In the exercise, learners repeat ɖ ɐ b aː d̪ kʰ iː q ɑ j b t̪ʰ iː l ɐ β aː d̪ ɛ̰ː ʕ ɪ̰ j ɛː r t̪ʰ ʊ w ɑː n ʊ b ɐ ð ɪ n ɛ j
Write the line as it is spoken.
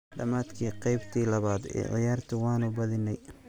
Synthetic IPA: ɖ ɐ m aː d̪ kʰ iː q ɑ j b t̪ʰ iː l ɐ β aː d̪ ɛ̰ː ʕ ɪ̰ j aː r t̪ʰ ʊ w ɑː n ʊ b ɐ ð ɪ n ɛ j